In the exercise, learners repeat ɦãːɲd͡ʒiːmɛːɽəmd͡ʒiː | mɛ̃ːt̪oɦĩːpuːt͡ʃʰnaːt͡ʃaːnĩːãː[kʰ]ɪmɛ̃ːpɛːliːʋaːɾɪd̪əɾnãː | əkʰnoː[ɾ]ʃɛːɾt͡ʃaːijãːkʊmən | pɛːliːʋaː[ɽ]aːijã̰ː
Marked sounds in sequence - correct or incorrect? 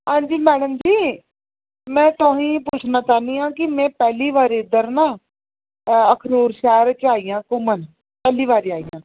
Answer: incorrect: k, correct, incorrect: ɾ

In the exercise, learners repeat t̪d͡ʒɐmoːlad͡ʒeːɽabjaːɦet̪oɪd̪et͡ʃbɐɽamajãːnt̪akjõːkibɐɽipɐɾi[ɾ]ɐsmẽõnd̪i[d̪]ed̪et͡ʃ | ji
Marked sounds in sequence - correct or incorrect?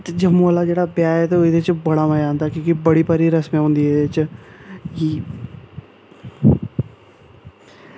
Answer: correct, incorrect: none

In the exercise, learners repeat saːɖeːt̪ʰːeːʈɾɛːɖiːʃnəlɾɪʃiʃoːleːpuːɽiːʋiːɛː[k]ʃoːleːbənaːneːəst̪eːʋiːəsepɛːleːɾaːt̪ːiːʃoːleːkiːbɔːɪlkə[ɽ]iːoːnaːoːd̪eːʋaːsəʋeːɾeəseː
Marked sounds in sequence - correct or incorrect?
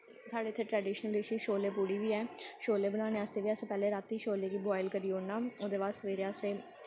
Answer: incorrect: none, incorrect: ɾ

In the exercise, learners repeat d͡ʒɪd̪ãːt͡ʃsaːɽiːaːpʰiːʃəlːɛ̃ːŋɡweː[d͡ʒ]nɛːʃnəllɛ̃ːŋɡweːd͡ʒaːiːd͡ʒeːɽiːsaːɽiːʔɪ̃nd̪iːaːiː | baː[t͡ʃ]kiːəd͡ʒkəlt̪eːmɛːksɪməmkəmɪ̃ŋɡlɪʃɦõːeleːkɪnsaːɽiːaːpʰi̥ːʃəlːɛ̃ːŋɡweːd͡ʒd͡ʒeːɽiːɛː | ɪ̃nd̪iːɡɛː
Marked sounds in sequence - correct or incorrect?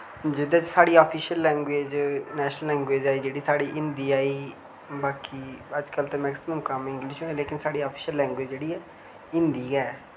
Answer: correct, incorrect: none

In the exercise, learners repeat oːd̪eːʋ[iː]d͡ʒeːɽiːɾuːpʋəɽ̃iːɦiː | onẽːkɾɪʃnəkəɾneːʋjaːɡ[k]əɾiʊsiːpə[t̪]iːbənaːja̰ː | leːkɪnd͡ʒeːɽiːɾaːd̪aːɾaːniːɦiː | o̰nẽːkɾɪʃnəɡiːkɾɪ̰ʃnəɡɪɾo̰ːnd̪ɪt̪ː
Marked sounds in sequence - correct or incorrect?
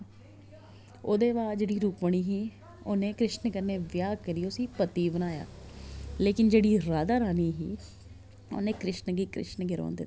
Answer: incorrect: aː, correct, correct

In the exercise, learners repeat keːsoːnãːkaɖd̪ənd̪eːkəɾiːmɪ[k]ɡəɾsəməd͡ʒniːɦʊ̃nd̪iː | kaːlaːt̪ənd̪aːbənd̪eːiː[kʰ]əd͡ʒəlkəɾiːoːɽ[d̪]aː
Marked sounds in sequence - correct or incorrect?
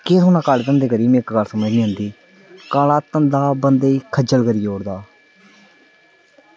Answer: correct, correct, correct

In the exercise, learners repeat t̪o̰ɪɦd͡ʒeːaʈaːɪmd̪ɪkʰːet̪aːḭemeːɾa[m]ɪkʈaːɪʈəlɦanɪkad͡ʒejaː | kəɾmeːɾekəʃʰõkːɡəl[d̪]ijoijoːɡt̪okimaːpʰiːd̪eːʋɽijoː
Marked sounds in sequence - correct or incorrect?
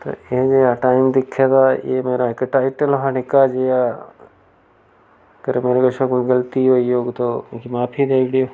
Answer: incorrect: none, incorrect: t̪

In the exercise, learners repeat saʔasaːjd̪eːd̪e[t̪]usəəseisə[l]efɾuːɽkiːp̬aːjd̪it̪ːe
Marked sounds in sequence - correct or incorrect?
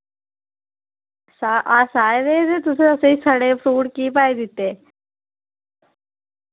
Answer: correct, incorrect: ɽ

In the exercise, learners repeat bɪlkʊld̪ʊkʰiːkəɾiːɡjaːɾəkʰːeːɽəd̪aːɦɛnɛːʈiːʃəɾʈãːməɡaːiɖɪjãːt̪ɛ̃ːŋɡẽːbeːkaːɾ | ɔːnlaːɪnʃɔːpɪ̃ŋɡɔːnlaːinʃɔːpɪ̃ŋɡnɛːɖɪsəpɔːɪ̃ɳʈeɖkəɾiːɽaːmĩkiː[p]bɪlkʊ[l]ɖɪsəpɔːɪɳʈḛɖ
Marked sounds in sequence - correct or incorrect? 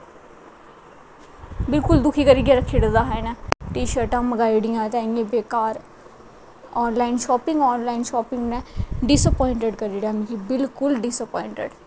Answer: incorrect: none, correct

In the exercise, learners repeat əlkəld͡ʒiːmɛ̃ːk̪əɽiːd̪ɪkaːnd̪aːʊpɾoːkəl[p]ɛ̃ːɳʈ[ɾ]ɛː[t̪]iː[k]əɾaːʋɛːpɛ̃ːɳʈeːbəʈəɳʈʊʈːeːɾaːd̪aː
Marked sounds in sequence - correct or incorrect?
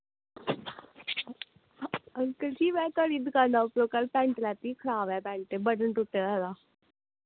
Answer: correct, incorrect: l, correct, incorrect: kʰ

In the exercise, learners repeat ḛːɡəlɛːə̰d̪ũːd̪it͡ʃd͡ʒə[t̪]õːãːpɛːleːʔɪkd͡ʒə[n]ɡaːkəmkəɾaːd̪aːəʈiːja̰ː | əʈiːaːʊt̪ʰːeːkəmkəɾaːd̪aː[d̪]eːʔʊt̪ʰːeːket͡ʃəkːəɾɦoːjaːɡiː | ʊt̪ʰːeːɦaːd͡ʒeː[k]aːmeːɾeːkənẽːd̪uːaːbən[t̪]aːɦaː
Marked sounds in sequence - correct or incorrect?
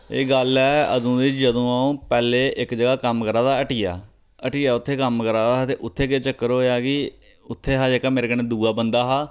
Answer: incorrect: d̪, incorrect: none, incorrect: t̪, correct, incorrect: d̪

